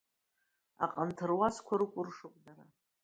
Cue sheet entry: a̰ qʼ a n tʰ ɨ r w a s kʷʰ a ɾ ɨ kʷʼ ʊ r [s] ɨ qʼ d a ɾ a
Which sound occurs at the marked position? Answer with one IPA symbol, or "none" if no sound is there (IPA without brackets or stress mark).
ʂ